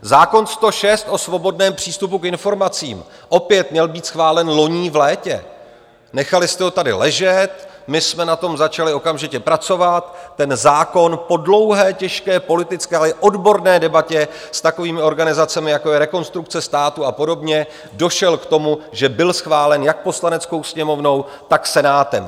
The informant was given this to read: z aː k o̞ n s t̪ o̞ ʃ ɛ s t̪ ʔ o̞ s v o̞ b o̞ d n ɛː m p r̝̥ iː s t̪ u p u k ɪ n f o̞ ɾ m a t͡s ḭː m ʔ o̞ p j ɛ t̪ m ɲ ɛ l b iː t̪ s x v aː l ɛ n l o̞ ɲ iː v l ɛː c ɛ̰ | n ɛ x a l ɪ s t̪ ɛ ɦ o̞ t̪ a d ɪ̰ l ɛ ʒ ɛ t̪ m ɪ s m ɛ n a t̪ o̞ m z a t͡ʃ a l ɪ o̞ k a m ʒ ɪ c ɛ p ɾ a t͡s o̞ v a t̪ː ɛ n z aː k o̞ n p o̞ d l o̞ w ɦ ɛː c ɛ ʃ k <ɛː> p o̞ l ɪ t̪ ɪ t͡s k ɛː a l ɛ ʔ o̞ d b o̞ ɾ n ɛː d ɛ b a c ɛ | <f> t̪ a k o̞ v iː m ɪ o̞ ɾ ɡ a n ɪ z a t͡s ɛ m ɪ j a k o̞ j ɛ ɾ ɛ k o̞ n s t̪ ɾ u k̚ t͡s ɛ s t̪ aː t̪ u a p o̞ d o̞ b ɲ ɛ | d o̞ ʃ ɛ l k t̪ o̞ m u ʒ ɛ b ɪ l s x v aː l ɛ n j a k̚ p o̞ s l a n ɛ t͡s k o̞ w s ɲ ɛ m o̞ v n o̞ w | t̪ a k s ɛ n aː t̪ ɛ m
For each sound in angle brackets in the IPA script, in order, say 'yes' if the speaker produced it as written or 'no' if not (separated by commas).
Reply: yes, no